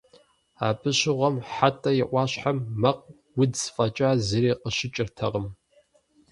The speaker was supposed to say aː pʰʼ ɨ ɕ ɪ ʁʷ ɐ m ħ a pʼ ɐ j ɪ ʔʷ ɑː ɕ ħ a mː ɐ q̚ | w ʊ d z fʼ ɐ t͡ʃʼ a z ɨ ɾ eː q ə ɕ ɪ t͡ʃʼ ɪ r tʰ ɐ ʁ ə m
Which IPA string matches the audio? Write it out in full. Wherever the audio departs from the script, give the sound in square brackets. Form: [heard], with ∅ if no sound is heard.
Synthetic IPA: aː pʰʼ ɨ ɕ ɪ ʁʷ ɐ m ħ a [tʼ] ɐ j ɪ ʔʷ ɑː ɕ ħ a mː ɐ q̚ | w ʊ d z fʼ ɐ t͡ʃʼ a z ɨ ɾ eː q ə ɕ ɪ t͡ʃʼ ɪ r tʰ ɐ ʁ ə m